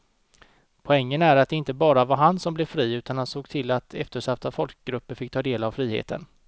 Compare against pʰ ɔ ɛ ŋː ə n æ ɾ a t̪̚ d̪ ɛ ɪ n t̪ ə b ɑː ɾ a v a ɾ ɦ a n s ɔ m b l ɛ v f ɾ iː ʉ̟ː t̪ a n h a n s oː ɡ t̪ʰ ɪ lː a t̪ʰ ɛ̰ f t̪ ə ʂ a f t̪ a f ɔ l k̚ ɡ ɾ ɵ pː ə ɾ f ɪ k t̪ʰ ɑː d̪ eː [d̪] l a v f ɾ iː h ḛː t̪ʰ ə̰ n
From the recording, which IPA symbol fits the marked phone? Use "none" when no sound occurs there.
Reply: none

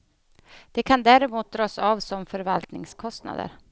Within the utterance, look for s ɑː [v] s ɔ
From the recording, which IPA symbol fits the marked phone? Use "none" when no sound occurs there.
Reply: v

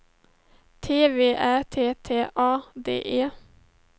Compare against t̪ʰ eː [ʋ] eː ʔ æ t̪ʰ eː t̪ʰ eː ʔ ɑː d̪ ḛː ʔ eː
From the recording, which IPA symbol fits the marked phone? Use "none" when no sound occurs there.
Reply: ʋ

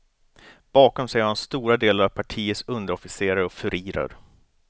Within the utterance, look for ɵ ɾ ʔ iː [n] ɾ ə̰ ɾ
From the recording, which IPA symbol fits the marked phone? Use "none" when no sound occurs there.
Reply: none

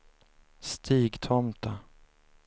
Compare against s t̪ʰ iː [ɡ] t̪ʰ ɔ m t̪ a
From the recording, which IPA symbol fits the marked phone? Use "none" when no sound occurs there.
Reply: ɡ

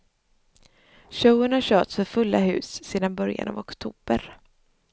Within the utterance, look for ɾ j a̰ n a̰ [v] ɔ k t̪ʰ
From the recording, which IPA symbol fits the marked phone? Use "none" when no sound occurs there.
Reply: v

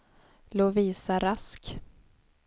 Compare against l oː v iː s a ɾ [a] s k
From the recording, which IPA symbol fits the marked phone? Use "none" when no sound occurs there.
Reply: a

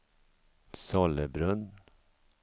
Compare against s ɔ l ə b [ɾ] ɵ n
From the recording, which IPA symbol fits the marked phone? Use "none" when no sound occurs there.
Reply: ɾ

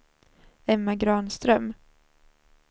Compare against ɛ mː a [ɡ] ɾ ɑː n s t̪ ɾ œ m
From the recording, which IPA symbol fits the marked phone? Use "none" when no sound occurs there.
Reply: ɡ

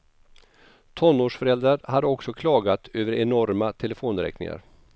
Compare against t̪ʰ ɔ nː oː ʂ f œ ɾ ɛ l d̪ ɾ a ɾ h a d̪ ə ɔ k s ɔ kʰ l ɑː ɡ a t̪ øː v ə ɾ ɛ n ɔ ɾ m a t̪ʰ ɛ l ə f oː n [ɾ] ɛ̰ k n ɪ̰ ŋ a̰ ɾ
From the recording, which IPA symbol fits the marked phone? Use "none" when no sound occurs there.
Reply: ɾ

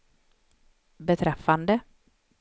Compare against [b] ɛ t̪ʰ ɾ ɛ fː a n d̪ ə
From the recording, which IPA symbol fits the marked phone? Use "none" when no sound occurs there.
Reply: b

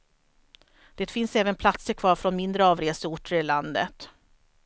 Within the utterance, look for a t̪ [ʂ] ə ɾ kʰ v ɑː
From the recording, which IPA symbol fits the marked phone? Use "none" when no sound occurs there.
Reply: s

